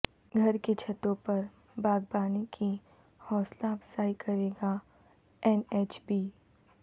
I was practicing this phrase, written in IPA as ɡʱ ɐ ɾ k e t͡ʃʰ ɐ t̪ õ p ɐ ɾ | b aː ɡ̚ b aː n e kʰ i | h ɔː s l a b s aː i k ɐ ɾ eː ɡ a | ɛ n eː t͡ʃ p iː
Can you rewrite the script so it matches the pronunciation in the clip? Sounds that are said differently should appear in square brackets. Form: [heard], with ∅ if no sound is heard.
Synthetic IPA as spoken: ɡʱ ɐ ɾ k e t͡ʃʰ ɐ t̪ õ p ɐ ɾ | b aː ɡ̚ b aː n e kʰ i | h ɔː s l a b s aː i k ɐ ɾ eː ɡ a | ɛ n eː t͡ʃ [b] iː